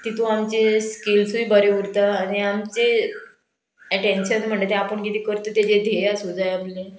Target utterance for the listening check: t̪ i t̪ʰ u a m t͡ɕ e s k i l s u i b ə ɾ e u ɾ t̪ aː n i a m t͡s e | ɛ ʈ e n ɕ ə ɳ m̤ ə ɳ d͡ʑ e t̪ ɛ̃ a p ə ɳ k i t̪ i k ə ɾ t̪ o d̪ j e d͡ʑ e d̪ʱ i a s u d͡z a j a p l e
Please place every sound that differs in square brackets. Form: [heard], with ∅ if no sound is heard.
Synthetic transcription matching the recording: t̪ i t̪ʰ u a m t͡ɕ e s k i l s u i b ə ɾ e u ɾ t̪ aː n i a m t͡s e | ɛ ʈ e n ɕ ə [n] m̤ ə ɳ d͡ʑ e t̪ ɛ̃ a p ə ɳ k i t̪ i k ə ɾ t̪ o [t̪] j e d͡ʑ e d̪ʱ [e] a s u d͡z a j a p l e